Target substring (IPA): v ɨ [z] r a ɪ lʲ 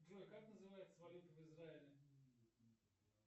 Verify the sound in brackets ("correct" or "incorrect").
correct